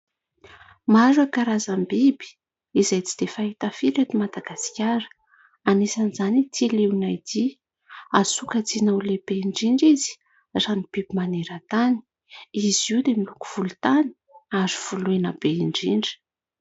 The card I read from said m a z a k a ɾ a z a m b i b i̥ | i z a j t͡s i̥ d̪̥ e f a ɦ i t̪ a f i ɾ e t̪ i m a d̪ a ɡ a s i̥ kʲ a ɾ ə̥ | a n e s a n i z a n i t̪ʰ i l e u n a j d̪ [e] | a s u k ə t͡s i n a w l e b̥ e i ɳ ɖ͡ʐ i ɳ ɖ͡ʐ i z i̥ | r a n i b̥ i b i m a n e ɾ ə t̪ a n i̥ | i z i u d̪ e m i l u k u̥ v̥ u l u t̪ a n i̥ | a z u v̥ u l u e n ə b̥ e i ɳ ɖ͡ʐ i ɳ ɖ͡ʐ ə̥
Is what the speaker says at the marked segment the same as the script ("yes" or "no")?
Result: no